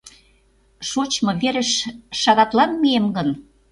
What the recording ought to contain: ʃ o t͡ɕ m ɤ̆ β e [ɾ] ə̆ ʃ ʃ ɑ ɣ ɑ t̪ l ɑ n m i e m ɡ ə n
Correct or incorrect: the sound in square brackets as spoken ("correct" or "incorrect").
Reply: correct